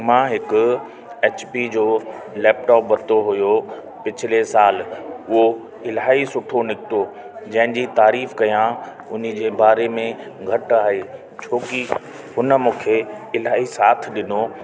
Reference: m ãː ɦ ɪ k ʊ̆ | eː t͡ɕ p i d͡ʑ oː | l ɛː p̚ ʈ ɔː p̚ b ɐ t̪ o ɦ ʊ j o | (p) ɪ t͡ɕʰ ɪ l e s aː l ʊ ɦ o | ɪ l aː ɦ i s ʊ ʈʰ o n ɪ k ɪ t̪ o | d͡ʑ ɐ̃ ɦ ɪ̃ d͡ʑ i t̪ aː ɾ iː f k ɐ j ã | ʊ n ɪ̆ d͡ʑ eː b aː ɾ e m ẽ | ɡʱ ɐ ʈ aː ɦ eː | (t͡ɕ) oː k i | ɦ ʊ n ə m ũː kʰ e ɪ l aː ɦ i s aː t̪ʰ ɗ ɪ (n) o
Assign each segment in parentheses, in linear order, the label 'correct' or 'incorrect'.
correct, incorrect, correct

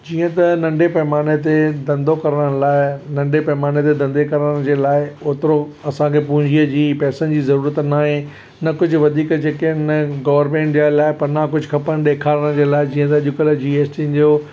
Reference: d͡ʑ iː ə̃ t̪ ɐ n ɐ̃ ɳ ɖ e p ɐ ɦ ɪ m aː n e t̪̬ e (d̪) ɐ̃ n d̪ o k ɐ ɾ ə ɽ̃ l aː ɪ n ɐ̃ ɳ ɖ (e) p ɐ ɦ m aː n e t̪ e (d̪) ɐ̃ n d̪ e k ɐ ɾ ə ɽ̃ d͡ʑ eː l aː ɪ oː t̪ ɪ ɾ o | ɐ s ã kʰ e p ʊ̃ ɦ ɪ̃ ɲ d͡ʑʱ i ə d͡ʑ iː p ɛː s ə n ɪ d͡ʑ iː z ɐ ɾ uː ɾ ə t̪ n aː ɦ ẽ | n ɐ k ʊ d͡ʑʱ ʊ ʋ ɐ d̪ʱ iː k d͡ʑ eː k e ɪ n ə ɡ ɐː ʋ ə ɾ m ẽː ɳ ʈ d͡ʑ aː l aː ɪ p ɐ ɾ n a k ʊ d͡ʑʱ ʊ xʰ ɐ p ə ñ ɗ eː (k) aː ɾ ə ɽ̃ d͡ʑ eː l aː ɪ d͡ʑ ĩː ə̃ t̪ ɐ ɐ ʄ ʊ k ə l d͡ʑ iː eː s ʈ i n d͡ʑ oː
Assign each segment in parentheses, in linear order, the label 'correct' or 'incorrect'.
correct, correct, correct, incorrect

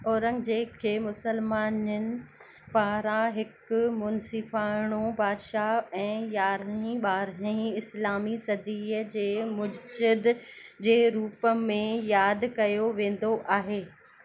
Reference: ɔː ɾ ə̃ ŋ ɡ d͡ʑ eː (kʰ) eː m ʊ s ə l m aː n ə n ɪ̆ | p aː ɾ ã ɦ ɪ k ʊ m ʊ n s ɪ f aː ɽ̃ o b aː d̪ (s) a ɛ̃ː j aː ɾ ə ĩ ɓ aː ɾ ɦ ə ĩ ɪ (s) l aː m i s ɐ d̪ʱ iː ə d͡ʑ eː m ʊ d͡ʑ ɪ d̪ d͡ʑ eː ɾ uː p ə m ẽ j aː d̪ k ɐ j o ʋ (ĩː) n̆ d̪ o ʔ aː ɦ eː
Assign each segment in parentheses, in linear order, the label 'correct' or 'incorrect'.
correct, incorrect, correct, incorrect

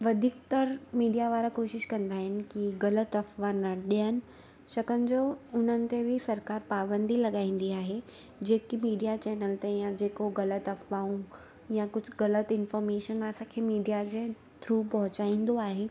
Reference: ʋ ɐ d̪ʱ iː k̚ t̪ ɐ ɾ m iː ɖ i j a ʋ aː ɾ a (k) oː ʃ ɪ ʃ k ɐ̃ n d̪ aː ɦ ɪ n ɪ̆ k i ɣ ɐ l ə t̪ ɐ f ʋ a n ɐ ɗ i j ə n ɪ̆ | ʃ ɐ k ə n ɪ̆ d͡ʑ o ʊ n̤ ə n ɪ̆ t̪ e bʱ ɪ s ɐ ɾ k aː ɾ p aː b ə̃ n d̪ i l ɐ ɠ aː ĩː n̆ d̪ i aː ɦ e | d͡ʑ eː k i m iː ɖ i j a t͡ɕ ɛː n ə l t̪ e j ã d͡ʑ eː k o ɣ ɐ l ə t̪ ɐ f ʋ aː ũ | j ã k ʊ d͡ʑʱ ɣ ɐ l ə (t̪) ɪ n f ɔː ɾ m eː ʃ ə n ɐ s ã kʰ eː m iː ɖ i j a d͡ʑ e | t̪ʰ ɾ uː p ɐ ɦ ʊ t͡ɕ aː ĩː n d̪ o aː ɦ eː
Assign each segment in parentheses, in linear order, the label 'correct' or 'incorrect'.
correct, correct

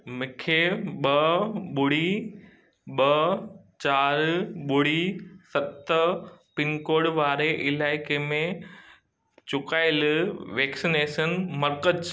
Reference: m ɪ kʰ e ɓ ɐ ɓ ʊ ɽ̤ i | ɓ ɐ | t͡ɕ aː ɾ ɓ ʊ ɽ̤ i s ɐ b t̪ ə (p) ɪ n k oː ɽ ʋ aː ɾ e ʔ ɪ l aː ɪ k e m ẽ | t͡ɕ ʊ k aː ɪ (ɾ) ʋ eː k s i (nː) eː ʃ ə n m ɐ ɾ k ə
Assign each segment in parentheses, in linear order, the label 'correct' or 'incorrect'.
correct, incorrect, incorrect

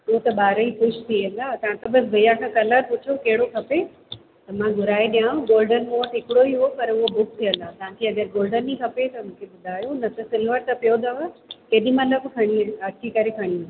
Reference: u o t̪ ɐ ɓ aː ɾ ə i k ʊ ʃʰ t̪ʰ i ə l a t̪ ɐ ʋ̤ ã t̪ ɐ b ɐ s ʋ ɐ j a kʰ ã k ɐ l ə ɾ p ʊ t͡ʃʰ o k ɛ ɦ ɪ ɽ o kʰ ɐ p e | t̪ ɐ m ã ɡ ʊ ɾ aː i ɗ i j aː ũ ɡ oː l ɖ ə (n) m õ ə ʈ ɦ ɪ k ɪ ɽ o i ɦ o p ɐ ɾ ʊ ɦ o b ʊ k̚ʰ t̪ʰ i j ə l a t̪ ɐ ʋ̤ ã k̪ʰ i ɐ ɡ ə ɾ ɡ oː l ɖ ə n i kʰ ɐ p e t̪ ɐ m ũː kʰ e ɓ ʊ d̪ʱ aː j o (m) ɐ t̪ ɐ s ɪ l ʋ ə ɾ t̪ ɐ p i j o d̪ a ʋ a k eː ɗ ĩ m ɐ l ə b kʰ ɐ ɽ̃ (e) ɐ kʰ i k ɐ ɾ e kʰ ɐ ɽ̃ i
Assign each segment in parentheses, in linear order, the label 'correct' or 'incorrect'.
correct, incorrect, incorrect

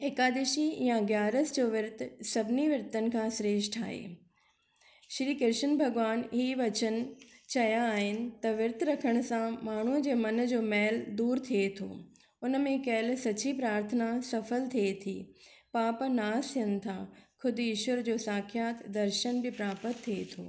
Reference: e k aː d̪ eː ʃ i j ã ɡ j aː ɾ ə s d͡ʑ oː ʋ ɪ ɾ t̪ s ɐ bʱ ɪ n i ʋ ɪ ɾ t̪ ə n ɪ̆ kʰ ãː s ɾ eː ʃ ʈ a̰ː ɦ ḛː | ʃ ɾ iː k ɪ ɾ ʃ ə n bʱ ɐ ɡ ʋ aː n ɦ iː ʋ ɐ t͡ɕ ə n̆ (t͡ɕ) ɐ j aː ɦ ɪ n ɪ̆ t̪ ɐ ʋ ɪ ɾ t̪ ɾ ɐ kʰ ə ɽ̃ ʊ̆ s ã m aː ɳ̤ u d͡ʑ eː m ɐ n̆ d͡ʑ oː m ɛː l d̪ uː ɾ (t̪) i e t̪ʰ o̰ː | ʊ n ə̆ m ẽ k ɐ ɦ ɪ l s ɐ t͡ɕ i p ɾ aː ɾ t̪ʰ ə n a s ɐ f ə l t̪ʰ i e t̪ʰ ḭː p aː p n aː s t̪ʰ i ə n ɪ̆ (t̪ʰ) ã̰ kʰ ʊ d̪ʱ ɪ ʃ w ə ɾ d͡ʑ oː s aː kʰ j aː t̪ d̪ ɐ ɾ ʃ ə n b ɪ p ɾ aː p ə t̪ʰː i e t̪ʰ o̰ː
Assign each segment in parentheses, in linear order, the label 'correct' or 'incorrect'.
correct, incorrect, correct

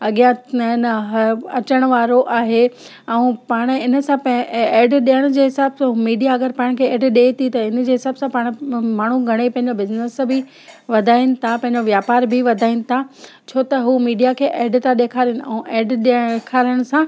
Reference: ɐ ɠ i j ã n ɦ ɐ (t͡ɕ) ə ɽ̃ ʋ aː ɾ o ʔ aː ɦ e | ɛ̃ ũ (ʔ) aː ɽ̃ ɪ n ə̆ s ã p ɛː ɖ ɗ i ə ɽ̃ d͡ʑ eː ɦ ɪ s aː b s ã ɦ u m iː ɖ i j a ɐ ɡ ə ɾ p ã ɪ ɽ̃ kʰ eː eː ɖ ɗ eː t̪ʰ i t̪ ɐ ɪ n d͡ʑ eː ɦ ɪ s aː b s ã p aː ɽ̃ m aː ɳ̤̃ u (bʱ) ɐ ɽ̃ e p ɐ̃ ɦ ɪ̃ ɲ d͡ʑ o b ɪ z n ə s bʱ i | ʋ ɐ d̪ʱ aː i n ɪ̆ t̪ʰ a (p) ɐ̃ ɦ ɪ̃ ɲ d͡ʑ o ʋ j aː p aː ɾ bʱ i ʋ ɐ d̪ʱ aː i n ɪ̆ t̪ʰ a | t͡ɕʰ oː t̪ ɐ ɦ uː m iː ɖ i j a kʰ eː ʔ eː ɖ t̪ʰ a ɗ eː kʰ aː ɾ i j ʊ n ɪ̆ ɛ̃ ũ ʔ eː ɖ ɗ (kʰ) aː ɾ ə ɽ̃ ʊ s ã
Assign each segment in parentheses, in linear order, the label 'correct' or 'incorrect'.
correct, incorrect, incorrect, correct, correct

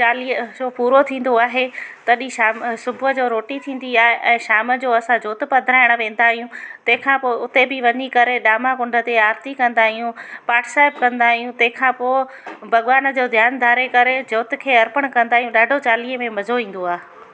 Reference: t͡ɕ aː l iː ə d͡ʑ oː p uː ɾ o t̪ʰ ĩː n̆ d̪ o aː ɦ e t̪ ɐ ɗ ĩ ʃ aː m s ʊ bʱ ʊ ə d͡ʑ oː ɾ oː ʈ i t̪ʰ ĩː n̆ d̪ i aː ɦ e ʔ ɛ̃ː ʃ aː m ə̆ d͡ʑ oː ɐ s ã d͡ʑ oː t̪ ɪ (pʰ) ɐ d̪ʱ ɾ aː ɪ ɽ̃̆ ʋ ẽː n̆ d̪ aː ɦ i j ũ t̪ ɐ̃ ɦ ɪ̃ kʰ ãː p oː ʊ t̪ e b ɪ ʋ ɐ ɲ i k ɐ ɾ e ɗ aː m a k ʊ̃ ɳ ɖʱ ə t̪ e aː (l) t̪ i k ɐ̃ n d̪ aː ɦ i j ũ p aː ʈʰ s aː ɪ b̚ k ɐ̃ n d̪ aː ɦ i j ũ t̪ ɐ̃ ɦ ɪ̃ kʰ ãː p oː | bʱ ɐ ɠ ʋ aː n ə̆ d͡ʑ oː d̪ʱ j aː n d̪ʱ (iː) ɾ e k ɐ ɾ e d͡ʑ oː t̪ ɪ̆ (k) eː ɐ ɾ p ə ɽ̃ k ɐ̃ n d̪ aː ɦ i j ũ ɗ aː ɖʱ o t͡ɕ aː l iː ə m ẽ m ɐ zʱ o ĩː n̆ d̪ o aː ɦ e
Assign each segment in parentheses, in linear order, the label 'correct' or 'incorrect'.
incorrect, incorrect, incorrect, incorrect

